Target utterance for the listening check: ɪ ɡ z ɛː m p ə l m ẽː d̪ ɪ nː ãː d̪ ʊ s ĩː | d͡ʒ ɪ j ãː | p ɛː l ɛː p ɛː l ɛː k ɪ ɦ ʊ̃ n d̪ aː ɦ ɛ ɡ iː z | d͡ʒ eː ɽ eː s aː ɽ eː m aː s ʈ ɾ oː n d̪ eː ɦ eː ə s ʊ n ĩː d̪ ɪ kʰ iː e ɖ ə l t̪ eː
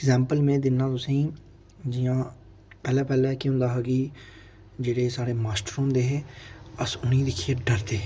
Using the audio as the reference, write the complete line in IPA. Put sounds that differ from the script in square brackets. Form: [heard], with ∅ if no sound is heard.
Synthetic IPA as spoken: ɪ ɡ z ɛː m p ə l m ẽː d̪ ɪ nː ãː [t̪] ʊ s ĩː | d͡ʒ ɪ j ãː | p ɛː l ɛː p ɛː l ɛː k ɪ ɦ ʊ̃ n d̪ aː ɦ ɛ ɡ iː [∅] | d͡ʒ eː ɽ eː s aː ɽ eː m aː s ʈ ɾ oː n d̪ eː ɦ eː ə s ʊ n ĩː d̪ ɪ kʰ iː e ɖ ə [ɾ] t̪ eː